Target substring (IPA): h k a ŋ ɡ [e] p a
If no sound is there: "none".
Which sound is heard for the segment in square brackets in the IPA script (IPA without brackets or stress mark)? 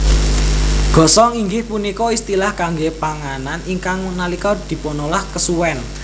e